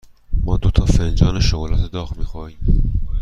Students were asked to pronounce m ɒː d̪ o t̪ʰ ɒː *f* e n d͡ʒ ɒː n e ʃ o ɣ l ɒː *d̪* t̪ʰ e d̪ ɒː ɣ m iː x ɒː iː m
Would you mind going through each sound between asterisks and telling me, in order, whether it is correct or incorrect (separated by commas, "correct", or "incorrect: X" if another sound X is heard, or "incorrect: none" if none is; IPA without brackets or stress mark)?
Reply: correct, incorrect: none